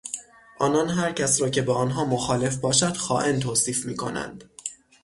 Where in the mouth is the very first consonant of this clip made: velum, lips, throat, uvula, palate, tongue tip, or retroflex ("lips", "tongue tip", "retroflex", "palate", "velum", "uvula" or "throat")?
throat